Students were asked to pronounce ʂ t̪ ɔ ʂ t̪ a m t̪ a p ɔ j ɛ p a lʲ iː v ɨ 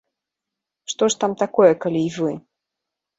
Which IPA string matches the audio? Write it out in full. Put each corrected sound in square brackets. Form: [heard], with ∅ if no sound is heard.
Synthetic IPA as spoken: ʂ t̪ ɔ ʂ t̪ a m t̪ a [k] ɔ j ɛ [k] a lʲ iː v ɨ